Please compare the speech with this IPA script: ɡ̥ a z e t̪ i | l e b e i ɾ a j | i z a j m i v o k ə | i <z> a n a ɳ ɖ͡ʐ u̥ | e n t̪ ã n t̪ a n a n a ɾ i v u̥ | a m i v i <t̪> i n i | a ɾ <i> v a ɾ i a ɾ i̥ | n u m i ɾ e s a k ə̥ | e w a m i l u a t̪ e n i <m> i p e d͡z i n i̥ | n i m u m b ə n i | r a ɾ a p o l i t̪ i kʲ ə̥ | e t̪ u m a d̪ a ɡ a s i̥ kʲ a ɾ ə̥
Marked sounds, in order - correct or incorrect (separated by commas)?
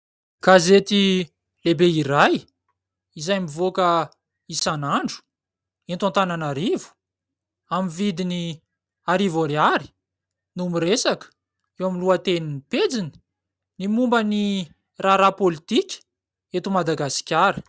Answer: incorrect, incorrect, correct, incorrect